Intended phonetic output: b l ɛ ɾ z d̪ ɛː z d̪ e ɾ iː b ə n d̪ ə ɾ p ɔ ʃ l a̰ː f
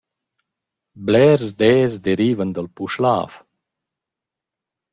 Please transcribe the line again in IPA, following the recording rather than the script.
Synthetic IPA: b l ɛ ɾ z d̪ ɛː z d̪ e ɾ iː v ə n d̪ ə l p u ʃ l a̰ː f